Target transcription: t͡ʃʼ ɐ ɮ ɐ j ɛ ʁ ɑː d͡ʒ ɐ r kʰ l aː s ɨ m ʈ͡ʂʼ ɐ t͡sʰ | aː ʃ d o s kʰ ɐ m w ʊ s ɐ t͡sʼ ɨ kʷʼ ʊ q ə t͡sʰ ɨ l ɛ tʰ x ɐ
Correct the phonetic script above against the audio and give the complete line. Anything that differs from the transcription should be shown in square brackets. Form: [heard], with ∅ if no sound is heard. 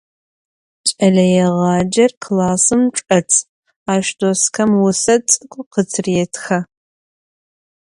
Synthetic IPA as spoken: t͡ʃʼ ɐ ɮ ɐ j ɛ ʁ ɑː d͡ʒ ɐ r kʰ l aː s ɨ m ʈ͡ʂʼ ɐ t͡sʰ | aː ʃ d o s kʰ ɐ m w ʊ s ɐ t͡sʼ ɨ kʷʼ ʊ q ə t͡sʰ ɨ [r] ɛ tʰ x ɐ